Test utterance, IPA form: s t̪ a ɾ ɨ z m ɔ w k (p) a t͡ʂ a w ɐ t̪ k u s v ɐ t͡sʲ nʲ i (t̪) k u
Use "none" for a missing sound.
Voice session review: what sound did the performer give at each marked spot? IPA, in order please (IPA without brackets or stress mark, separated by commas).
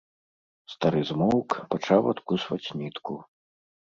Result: p, t̪